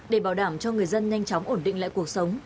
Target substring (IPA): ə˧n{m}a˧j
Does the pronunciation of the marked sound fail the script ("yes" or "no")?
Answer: yes